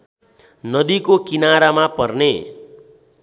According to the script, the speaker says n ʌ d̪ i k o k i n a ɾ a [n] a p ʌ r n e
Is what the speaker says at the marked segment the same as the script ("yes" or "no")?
no